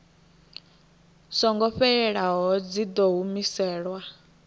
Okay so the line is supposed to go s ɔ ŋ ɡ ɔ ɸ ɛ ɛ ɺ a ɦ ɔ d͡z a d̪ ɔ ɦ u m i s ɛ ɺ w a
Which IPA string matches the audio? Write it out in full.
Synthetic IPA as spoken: s ɔ ŋ ɡ ɔ ɸ ɛ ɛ ɺ a ɦ ɔ d͡z i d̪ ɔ ɦ u m i s ɛː ɺ w a